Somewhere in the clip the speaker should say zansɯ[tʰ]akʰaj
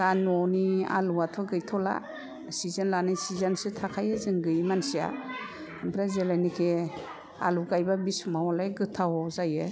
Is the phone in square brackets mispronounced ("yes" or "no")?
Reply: no